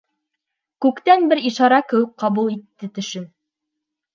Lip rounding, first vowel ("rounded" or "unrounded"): rounded